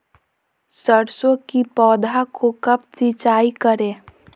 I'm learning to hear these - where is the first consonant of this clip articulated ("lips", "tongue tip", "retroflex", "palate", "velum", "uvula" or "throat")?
tongue tip